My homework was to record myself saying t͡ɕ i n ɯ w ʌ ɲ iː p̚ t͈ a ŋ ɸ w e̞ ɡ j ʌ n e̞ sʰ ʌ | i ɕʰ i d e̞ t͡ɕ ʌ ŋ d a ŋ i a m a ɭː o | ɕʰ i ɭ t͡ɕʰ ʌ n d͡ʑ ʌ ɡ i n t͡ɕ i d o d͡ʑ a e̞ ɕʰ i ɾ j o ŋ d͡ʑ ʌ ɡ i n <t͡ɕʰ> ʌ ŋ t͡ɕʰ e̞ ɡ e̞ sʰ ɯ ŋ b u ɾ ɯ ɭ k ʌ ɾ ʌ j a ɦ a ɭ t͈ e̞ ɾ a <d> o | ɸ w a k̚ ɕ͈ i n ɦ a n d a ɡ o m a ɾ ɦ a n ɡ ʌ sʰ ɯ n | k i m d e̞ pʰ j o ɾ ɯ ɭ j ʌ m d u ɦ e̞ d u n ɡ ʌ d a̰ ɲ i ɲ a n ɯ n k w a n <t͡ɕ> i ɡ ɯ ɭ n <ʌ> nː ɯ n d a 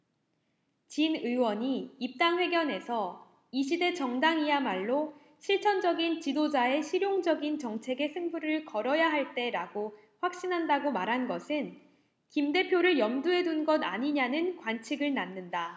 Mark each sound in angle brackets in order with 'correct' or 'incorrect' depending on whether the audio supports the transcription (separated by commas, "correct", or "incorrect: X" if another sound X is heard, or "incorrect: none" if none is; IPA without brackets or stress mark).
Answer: incorrect: t͡ɕ, incorrect: ɡ, incorrect: t͡ɕʰ, incorrect: a